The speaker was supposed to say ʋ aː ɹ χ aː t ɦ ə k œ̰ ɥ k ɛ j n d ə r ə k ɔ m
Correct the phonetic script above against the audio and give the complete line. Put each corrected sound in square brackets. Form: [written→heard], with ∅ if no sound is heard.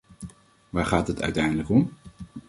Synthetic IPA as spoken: ʋ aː ɹ χ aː t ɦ ə [k→t] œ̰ ɥ [k→t] ɛ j n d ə [r→l] ə k ɔ m